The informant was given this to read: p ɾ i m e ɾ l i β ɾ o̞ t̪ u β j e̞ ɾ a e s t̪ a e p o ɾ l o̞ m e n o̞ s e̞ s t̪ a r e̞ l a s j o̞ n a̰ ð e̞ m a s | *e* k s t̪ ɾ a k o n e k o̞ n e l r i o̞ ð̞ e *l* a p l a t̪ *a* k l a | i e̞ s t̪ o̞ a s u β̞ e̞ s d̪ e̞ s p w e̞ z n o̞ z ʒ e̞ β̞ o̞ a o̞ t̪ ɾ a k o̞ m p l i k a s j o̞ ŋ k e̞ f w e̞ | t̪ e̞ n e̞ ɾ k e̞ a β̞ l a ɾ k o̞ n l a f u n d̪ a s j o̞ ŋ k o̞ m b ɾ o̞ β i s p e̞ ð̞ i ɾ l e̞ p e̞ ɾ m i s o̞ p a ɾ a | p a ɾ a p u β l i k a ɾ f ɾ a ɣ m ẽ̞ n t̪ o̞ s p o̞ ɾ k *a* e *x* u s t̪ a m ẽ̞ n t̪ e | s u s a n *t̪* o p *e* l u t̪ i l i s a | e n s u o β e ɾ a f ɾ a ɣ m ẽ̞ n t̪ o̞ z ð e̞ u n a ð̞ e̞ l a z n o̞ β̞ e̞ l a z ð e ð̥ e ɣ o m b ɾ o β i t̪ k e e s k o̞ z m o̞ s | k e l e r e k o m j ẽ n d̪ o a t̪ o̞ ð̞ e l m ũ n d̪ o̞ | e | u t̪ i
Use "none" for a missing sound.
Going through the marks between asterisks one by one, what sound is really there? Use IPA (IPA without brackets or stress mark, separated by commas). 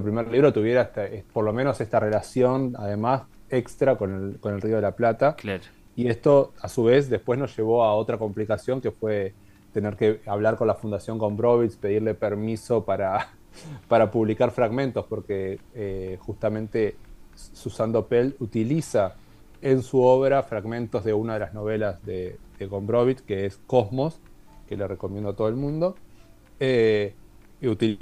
e, l, a, e, x, d̪, e